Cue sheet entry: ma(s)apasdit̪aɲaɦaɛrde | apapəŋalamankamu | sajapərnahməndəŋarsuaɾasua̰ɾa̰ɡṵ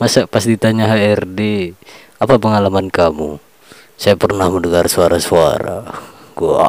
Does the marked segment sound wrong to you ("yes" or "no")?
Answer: no